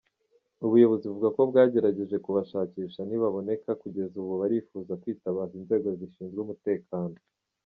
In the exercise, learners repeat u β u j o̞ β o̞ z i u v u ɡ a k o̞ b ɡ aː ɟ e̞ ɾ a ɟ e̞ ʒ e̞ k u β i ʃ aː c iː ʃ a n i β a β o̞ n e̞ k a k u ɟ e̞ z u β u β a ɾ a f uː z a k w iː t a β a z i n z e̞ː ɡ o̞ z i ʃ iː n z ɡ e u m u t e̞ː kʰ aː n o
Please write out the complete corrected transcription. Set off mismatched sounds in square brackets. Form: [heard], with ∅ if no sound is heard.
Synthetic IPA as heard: u β u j o̞ β o̞ z i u v u ɡ a k o̞ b ɡ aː ɟ e̞ ɾ a ɟ e̞ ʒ e̞ k u β [a] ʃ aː c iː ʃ a n i β a β o̞ n e̞ k a k u ɟ e̞ z u β u β a ɾ [i] f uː z a k w iː t a β a z i n z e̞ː ɡ o̞ z i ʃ iː n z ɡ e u m u t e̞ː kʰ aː n o